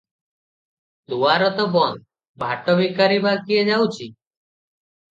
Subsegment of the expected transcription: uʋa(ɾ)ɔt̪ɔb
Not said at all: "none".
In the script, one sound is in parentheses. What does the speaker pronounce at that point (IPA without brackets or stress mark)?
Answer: ɾ